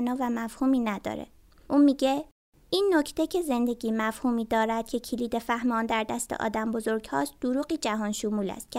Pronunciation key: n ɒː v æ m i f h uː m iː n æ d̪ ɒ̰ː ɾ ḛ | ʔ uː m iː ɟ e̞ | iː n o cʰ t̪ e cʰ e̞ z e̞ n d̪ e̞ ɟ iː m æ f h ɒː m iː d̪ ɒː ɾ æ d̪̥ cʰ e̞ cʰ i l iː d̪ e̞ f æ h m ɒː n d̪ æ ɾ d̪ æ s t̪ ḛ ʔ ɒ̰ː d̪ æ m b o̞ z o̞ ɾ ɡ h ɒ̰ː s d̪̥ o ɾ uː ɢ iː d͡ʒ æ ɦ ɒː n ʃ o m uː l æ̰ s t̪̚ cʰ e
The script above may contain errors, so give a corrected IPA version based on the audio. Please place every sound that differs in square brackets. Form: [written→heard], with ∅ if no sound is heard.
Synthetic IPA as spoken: n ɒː v æ m [i→æ] f h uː m iː n æ d̪ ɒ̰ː ɾ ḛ | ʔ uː m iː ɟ e̞ | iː [n→nː] o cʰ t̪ e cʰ e̞ z e̞ n d̪ e̞ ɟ iː m æ f h [ɒː→uː] m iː d̪ ɒː ɾ æ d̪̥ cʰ e̞ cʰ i l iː d̪ e̞ f æ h m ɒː n d̪ æ ɾ d̪ æ s t̪ ḛ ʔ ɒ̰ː d̪ æ m b o̞ z o̞ ɾ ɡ h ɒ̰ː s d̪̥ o ɾ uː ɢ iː d͡ʒ æ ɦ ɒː n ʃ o m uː l æ̰ s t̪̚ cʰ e